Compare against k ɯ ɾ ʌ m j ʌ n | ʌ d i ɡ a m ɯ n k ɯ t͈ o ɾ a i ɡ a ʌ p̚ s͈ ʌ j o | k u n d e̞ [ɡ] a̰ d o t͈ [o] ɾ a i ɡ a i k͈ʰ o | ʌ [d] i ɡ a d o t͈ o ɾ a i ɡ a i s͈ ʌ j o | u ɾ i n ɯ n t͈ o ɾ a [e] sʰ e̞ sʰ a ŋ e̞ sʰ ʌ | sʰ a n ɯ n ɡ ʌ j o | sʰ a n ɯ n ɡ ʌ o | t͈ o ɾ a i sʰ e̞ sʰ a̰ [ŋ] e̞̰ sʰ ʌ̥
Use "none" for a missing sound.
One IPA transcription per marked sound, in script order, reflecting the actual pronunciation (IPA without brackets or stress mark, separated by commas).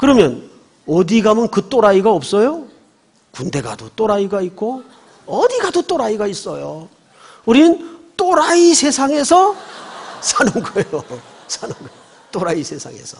ɡ, o, d, i, ŋ